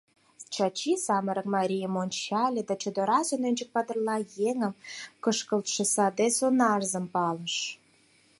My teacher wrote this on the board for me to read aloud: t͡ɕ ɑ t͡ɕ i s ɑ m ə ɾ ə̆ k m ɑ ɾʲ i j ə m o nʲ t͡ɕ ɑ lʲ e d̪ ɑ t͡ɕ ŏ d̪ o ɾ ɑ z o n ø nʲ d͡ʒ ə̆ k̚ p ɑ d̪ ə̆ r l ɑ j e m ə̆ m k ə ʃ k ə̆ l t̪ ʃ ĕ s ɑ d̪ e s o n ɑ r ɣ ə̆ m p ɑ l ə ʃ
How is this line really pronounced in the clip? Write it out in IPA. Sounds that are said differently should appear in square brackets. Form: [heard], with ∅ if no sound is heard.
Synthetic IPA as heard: t͡ɕ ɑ t͡ɕ i s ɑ m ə ɾ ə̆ k m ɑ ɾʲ i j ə m o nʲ t͡ɕ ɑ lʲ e d̪ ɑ t͡ɕ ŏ d̪ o ɾ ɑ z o n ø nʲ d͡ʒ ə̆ k̚ p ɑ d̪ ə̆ r l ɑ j e [ŋ] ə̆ m k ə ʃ k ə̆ l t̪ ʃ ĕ s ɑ d̪ e s o n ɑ r [z] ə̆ m p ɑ l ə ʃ

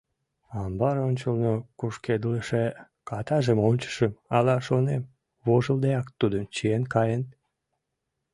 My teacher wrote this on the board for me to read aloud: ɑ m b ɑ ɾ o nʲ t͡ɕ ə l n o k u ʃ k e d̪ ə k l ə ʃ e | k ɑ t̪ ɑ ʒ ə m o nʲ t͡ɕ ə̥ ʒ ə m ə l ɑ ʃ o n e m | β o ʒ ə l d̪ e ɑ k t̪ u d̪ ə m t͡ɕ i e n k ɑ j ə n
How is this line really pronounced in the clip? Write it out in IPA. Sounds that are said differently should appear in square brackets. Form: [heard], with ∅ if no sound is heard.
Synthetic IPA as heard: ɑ m b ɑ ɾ o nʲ t͡ɕ ə l n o k u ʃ k e d̪ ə [∅] l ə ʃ e | k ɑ t̪ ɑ ʒ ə m o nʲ t͡ɕ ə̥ [ʃ] ə m [ɑ] l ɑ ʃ o n e m | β o ʒ ə l d̪ e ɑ k t̪ u d̪ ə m t͡ɕ i e n k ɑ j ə n

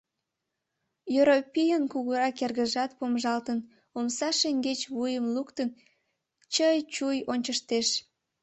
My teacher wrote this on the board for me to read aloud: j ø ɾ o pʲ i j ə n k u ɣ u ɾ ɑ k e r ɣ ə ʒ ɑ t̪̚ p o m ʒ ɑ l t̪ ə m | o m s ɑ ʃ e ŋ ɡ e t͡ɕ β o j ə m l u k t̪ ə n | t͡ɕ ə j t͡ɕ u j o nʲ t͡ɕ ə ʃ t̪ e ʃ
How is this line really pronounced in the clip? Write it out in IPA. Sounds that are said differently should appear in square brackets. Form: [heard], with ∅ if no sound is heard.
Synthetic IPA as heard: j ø ɾ o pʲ i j ə n k u ɣ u ɾ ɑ k e r ɣ ə ʒ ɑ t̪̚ p o m ʒ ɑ l t̪ ə [n] | o m s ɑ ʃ e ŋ ɡ e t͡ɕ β [u] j ə m l u k t̪ ə n | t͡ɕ ə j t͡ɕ u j o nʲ t͡ɕ ə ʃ t̪ e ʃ

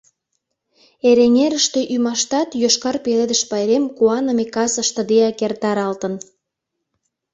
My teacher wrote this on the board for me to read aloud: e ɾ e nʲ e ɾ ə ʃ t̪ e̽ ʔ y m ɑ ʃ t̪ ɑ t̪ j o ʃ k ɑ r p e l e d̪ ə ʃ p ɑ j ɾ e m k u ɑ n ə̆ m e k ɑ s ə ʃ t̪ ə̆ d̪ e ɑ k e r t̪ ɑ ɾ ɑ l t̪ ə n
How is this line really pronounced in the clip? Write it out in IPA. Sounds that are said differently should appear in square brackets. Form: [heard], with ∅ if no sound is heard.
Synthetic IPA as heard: e ɾ e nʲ e ɾ ə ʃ t̪ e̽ ʔ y m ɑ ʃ t̪ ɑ t̪ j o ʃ k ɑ r p e l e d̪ ə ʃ p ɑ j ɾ e m k u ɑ n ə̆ m e k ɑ s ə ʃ t̪ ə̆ d̪ e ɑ k e r t̪ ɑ ɾ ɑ l t̪ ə n

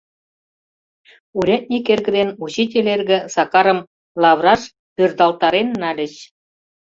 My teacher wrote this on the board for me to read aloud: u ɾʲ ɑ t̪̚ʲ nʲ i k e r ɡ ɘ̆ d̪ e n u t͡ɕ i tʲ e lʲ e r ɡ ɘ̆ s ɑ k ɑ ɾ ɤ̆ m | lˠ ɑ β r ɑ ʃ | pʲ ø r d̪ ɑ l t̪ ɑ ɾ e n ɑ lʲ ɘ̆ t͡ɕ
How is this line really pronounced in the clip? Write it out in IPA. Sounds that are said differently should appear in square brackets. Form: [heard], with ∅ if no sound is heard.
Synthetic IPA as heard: u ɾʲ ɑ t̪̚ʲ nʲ i k e r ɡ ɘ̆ d̪ e n u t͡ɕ i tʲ e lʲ e r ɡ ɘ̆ s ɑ k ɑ ɾ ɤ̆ m | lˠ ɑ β r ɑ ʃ | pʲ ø r d̪ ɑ l t̪ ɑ ɾ e [nː] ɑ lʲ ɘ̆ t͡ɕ

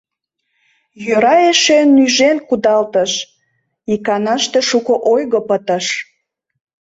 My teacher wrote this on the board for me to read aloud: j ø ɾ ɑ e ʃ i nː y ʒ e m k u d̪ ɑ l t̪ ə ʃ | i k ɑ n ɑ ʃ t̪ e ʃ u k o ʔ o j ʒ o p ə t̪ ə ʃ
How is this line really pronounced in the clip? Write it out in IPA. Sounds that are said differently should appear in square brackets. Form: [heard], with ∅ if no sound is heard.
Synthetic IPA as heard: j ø ɾ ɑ e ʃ [e] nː y ʒ e [n] k u d̪ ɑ l t̪ ə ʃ | i k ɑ n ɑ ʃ t̪ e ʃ u k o ʔ o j [ɣ] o p ə t̪ ə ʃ

